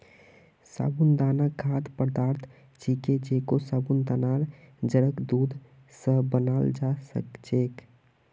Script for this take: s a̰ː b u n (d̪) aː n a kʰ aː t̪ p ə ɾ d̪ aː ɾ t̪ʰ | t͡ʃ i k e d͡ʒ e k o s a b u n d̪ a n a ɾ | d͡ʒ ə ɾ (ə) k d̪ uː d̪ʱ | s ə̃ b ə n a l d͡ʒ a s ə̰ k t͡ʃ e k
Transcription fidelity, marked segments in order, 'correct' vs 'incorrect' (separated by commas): correct, correct